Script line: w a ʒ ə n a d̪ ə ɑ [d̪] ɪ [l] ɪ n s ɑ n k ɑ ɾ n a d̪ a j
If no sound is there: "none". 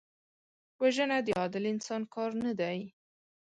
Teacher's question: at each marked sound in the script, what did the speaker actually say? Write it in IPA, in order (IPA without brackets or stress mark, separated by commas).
d̪, l